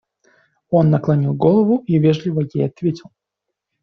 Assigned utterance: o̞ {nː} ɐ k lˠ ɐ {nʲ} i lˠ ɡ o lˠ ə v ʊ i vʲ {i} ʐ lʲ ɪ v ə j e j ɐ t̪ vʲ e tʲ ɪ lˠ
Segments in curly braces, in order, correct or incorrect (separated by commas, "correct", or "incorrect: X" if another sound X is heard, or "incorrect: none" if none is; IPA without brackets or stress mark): correct, correct, incorrect: e